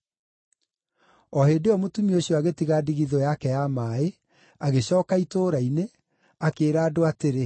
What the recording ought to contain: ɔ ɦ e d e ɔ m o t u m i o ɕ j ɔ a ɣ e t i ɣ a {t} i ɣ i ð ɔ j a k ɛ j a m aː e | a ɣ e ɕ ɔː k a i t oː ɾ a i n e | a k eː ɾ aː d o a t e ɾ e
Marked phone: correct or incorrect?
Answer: incorrect